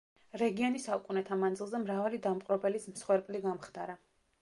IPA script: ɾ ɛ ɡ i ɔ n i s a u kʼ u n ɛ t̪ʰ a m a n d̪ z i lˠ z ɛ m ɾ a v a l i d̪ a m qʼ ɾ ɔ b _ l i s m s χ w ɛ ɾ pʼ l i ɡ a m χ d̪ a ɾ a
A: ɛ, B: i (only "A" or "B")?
A